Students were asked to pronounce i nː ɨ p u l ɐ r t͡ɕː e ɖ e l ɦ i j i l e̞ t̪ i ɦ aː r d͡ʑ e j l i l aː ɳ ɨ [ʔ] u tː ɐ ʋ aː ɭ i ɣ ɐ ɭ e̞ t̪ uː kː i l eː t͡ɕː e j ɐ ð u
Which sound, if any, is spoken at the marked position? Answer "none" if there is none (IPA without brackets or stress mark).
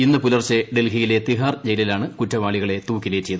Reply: k